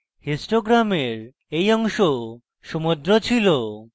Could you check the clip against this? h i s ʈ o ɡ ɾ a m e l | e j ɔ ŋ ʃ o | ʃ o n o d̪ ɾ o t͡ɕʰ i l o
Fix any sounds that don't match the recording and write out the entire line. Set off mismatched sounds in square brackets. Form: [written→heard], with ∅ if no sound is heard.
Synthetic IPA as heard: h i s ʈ o ɡ ɾ a m e [l→ɾ] | e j ɔ ŋ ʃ o | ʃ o [n→m] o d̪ ɾ o t͡ɕʰ i l o